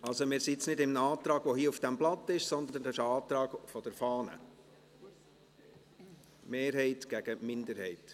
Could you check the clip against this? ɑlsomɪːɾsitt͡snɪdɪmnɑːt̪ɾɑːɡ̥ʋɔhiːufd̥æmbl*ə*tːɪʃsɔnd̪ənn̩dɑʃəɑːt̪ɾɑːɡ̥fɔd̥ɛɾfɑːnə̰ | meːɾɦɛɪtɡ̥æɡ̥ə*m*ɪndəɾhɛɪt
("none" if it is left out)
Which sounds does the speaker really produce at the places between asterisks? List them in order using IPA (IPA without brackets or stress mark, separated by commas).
ɑ, m